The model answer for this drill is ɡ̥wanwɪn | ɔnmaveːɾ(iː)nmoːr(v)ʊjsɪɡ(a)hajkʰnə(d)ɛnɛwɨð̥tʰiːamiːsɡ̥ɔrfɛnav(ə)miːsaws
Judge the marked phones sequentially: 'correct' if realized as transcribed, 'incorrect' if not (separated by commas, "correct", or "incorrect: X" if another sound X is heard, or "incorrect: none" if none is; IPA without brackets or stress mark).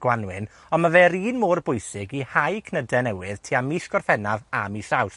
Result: correct, incorrect: b, incorrect: i, correct, incorrect: a